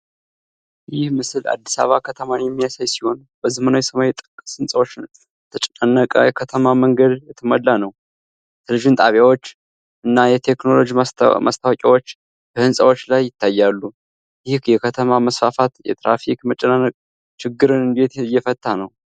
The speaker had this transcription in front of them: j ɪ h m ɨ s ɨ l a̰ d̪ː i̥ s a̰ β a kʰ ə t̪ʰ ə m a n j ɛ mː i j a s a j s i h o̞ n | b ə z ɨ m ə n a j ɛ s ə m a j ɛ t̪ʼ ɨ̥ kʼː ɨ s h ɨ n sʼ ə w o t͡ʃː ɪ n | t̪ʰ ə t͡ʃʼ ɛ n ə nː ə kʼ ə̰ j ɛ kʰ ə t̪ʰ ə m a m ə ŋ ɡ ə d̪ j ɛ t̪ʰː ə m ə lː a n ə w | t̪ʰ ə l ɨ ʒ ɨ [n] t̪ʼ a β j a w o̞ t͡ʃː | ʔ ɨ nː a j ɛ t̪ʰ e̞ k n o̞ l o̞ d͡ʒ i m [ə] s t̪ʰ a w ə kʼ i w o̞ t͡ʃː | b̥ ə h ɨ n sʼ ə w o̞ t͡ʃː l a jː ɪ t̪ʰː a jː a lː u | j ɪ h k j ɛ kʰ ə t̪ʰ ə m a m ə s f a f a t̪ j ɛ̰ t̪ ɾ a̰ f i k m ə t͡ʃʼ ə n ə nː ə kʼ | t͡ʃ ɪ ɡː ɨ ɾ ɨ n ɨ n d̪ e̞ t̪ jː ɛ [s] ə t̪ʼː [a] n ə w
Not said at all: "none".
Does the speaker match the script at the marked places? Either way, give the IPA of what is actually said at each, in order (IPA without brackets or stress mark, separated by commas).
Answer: n, a, f, a